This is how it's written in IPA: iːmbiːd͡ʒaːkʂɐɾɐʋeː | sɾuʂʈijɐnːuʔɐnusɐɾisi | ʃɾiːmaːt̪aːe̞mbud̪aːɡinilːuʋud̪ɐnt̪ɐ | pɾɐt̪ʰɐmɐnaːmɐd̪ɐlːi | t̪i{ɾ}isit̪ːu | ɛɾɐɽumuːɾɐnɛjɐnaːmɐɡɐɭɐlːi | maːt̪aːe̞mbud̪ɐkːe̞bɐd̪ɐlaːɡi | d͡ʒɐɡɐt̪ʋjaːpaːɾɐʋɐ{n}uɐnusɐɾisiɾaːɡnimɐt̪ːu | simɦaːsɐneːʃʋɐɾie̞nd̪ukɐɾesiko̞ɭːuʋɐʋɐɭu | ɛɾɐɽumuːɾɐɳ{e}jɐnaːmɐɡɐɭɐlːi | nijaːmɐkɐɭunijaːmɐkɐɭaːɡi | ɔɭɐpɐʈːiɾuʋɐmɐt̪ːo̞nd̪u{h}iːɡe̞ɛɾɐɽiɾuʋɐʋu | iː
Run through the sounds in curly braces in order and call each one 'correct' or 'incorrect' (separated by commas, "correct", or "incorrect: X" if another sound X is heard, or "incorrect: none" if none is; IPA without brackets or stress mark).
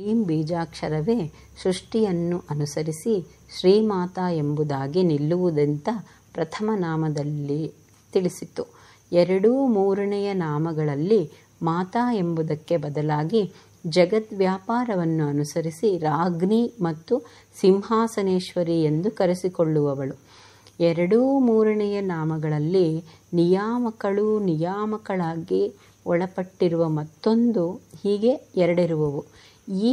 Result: incorrect: ɭ, incorrect: nː, incorrect: ɛ, correct